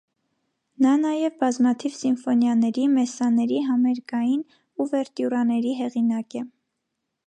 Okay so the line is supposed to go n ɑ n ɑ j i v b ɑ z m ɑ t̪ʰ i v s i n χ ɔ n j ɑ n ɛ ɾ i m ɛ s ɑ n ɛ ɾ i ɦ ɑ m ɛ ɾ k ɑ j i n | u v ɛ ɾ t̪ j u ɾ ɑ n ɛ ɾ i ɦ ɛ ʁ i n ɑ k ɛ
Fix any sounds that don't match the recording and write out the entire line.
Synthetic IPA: n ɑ n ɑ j ɛ v b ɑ z m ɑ t̪ʰ i v s i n f ɔ n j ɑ n ɛ ɾ i m ɛ s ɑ n ɛ ɾ i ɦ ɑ m ɛ ɾ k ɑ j i n | u v ɛ ɾ t̪ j u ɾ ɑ n ɛ ɾ i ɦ ɛ ʁ i n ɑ k ɛ